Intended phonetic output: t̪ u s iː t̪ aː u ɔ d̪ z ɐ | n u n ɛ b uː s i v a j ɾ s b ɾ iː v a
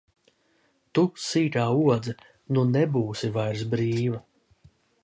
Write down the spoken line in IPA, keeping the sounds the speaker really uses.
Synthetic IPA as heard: t̪ u s iː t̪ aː u ɔ d̪ z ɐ | n u n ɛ b uː s i v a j ɾ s b ɾ iː v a